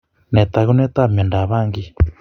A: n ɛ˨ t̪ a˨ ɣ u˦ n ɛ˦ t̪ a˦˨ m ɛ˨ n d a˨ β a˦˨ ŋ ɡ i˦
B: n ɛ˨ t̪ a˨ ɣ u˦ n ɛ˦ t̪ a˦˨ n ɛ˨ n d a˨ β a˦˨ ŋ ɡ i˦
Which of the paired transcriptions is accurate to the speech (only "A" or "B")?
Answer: A